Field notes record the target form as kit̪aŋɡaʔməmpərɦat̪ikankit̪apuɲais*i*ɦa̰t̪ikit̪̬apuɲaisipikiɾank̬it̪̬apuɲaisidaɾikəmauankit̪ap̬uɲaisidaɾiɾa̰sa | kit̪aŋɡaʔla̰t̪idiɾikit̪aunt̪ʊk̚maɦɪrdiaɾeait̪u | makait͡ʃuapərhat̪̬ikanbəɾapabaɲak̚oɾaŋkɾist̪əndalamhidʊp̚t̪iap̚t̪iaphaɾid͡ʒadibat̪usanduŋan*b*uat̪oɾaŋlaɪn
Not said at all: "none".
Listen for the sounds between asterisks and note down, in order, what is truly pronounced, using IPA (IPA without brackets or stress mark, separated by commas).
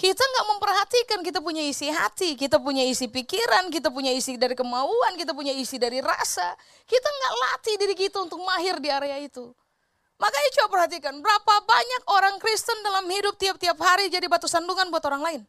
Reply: i, b